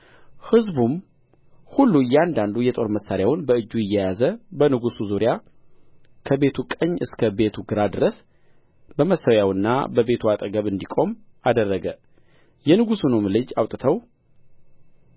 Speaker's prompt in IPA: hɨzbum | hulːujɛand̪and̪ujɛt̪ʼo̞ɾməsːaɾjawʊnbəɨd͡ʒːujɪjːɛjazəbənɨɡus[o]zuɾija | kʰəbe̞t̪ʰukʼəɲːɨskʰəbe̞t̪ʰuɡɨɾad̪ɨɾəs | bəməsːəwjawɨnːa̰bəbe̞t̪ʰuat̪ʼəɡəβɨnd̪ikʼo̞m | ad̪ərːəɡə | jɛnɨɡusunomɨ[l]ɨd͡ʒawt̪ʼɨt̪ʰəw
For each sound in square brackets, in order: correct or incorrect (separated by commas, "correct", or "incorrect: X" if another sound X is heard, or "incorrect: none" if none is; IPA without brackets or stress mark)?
incorrect: u, correct